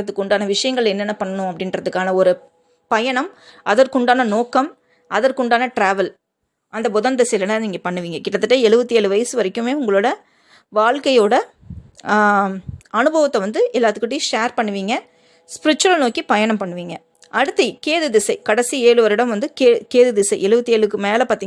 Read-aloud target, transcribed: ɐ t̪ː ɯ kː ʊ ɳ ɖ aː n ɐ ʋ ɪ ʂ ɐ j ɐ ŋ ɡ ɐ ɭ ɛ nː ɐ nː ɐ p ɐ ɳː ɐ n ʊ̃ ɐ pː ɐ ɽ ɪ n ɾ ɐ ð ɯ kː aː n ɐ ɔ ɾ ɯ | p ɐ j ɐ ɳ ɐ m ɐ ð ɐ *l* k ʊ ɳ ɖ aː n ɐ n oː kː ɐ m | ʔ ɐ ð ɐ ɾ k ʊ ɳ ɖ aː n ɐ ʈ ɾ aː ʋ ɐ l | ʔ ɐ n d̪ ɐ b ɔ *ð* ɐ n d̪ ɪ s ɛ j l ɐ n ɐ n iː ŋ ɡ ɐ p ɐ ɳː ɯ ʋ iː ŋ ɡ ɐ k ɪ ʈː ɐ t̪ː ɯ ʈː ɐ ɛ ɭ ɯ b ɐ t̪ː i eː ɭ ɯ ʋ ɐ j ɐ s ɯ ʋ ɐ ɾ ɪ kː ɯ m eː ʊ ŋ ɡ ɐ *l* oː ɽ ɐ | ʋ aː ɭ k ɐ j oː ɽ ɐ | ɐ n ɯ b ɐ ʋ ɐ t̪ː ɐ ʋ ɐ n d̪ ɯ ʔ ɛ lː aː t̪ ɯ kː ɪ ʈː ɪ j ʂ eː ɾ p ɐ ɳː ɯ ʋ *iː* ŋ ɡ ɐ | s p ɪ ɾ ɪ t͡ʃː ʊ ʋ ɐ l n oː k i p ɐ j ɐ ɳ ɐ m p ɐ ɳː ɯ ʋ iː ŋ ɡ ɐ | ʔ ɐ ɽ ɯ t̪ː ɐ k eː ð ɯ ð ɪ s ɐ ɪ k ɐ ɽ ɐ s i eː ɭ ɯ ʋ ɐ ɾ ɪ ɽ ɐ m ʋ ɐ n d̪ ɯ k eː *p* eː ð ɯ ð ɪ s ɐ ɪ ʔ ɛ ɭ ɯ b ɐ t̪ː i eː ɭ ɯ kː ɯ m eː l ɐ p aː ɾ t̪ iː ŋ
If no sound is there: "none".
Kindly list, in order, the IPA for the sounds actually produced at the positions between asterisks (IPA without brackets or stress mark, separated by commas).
ɾ, ð, ɭ, iː, k